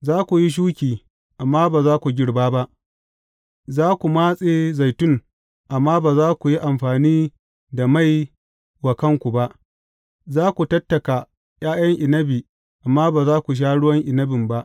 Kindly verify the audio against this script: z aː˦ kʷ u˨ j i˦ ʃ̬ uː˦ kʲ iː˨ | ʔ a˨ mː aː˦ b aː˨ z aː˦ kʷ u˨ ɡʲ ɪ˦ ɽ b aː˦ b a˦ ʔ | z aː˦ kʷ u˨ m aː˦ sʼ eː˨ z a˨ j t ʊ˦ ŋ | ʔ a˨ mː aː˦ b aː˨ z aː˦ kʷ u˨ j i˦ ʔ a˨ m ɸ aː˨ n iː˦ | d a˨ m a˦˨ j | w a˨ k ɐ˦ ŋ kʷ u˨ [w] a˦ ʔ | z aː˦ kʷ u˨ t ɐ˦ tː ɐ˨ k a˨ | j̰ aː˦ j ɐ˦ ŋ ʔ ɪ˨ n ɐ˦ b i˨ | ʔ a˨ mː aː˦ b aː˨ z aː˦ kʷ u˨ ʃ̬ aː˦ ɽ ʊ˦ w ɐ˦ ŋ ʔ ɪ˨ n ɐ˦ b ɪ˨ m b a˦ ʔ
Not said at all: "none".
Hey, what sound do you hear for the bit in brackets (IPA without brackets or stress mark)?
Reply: b